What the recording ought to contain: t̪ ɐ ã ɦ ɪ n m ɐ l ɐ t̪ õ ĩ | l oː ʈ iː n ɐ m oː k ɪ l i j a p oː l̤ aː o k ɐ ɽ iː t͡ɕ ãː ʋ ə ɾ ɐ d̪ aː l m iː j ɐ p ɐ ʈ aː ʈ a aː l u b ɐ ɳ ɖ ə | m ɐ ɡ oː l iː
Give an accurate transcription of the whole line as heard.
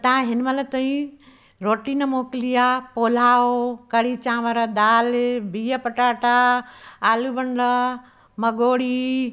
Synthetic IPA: t̪ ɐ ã ɦ ɪ n m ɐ l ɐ t̪ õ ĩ | ɾ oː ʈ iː n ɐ m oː k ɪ l i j a p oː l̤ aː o k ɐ ɽ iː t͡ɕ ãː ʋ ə ɾ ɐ d̪ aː l b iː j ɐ p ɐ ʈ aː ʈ a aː l u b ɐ ɳ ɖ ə | m ɐ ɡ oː ɽ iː